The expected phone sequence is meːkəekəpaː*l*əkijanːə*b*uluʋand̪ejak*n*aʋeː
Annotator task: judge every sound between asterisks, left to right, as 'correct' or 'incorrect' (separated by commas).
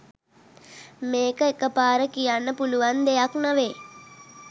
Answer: incorrect, incorrect, correct